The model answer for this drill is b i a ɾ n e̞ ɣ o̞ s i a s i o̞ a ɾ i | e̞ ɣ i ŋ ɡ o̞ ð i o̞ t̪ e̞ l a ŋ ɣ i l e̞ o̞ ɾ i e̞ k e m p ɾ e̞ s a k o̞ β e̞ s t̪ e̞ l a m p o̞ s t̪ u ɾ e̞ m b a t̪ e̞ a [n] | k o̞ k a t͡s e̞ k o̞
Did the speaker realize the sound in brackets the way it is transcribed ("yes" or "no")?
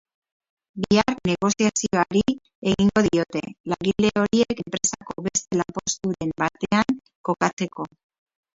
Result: no